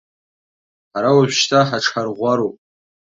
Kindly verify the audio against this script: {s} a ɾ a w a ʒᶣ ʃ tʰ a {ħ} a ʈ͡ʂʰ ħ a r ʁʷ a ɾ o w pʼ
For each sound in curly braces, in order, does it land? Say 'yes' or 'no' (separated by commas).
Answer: no, yes